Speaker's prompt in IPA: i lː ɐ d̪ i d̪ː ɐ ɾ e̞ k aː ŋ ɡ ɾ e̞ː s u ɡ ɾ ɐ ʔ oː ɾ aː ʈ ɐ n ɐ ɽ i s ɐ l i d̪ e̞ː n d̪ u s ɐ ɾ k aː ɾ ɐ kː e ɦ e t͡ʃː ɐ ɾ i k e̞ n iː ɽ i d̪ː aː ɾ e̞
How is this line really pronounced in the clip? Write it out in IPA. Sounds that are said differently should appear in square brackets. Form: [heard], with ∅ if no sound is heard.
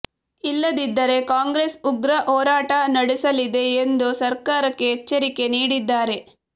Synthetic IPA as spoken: i lː ɐ d̪ i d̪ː ɐ ɾ e̞ k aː ŋ ɡ ɾ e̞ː s u ɡ ɾ ɐ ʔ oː ɾ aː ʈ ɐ n ɐ ɽ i s ɐ l i d̪ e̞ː n d̪ u s ɐ ɾ k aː ɾ ɐ kː e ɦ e t͡ʃː ɐ ɾ i k e̞ n iː ɽ i d̪ː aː ɾ e̞